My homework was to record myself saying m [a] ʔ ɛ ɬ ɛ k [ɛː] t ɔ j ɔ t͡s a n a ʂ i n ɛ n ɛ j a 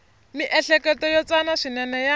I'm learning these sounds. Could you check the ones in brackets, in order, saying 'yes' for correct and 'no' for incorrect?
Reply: no, no

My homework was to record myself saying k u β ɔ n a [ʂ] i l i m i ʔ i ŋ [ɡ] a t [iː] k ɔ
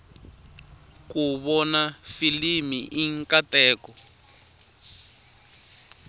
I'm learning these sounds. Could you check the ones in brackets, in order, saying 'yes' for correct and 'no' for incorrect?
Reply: no, no, no

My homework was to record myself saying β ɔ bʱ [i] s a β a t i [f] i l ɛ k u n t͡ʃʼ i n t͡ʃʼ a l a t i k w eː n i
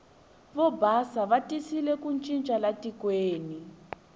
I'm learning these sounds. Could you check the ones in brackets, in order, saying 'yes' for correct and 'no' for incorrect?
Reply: no, no

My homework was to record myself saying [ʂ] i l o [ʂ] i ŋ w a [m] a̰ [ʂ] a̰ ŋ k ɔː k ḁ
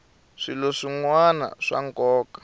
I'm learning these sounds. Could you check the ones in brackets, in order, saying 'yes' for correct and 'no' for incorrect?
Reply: yes, yes, no, yes

